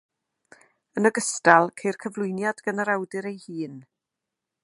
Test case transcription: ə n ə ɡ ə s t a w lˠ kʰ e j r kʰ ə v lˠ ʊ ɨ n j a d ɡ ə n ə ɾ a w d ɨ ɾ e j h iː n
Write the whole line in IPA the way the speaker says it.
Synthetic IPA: ə n ə ɡ ə s t a lˠ kʰ e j r kʰ ə v lˠ ʊ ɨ n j a d ɡ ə n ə ɾ a w d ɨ ɾ e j h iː n